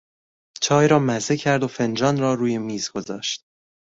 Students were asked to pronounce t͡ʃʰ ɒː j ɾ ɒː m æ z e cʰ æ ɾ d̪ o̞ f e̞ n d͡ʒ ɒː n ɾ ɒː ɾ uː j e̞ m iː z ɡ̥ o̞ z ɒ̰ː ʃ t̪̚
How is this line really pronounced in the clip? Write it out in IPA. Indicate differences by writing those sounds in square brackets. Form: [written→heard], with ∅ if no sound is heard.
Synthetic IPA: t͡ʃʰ ɒː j ɾ ɒː m æ z e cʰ æ ɾ d̪ o̞ f e̞ n d͡ʒ ɒː n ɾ ɒː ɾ uː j e̞ m iː z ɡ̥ o̞ z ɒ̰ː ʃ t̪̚